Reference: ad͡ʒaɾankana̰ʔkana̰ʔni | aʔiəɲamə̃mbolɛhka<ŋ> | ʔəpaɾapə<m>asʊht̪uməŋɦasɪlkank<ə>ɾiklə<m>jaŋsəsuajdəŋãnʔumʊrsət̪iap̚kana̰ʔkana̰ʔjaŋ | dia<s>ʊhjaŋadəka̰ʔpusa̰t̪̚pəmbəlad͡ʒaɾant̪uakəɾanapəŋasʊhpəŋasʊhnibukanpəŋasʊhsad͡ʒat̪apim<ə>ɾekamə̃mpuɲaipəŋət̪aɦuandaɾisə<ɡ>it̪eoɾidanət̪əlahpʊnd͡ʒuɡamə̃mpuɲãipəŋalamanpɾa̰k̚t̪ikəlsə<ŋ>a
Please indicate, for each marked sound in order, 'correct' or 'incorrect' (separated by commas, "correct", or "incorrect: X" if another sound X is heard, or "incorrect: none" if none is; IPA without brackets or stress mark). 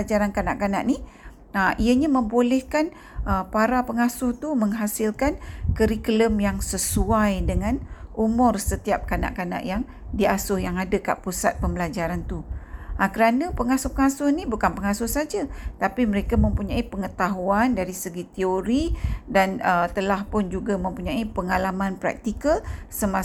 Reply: incorrect: n, incorrect: ŋ, correct, correct, correct, correct, correct, incorrect: m